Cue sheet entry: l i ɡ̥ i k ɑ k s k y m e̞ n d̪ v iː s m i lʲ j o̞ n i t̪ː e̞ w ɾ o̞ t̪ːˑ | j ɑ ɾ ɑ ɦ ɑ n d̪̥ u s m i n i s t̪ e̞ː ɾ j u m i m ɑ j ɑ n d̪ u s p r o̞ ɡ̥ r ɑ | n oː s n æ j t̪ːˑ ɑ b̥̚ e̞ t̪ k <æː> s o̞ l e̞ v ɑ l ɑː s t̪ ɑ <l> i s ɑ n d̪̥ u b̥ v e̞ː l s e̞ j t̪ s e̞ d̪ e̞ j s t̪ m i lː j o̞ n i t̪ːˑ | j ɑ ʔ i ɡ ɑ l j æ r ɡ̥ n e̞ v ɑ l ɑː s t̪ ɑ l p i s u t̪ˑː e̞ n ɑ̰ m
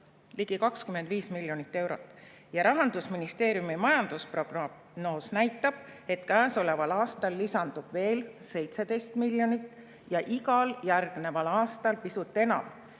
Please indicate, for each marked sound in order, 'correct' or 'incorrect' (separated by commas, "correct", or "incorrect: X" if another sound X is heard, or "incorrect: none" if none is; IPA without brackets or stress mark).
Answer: correct, incorrect: lː